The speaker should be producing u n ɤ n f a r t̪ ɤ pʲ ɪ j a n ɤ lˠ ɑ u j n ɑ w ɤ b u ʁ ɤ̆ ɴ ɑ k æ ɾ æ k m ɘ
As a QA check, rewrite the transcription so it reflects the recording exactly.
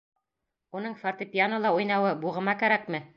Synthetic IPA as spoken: u n ɤ ɴ f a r t̪ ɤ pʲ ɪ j a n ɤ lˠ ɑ u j n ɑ w ɤ b u ʁ ɤ̆ m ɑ k æ ɾ æ k m ɘ